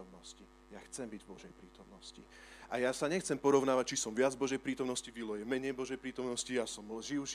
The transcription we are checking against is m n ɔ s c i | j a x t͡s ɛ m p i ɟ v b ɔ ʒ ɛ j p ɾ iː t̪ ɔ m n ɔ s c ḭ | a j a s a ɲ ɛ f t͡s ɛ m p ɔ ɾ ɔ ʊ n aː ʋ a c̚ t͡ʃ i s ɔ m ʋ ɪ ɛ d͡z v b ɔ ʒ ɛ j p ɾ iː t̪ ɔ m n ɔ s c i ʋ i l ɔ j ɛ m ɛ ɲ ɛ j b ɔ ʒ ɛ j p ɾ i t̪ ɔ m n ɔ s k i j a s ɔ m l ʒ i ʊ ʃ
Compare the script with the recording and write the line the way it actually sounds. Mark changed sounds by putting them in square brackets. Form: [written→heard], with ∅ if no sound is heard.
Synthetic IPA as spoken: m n ɔ s c i | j a x t͡s ɛ m [p→b] i ɟ v b ɔ ʒ ɛ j p ɾ iː t̪ ɔ m n ɔ s c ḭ | a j a s a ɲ ɛ [f→x] t͡s ɛ m p ɔ ɾ ɔ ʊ n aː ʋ a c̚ t͡ʃ i s ɔ m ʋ ɪ [ɛ→a] d͡z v b ɔ ʒ ɛ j p ɾ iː t̪ ɔ m n ɔ s c i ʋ i l ɔ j ɛ m ɛ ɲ ɛ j b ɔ ʒ ɛ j p ɾ [i→iː] t̪ ɔ m n ɔ s [k→c] i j a s ɔ m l ʒ i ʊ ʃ